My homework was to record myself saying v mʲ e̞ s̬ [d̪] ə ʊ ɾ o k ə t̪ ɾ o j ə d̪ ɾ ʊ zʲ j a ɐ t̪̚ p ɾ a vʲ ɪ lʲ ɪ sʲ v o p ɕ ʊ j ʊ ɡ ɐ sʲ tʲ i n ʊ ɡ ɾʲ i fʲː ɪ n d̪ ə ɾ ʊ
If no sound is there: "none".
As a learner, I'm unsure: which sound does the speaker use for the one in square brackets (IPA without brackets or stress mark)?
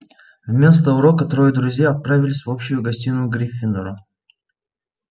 t̪